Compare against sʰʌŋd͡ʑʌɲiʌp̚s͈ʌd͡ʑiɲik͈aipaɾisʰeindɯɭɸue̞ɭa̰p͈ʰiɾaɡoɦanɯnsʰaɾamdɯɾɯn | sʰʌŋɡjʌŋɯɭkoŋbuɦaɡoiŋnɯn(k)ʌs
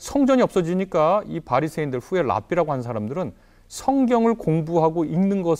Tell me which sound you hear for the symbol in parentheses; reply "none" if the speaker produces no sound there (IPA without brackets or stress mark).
ɡ